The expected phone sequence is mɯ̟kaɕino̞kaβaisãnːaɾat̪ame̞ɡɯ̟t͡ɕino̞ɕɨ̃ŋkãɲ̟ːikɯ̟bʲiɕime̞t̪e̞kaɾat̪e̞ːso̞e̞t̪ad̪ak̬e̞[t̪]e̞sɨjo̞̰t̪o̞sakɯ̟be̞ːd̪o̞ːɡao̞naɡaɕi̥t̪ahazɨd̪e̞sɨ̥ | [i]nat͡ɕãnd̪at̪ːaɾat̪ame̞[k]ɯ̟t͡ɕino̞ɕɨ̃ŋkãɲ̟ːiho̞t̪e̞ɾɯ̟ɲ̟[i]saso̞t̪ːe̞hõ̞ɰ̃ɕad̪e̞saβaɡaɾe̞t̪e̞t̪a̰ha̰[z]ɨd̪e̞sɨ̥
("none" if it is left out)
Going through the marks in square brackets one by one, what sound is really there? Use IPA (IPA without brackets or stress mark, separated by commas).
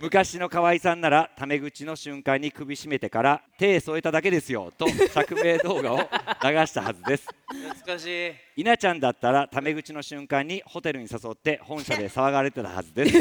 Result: d̪, i, ɡ, i, z